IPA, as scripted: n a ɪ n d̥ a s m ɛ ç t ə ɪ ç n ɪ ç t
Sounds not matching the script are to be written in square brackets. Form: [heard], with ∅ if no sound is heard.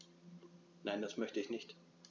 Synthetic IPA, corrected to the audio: n a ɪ n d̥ a s m [œ] ç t ə ɪ ç n ɪ ç t